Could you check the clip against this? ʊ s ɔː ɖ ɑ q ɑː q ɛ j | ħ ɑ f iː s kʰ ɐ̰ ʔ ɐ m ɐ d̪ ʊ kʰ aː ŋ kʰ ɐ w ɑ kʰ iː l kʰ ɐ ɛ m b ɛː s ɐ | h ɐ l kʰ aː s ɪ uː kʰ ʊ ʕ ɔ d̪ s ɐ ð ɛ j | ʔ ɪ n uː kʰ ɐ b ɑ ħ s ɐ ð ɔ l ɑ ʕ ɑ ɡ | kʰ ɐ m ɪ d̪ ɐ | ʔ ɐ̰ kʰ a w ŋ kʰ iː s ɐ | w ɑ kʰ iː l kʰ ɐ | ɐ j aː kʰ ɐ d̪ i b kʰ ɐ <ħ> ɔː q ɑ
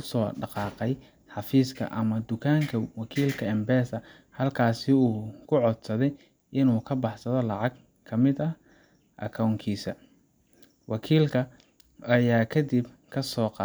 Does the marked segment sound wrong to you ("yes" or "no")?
yes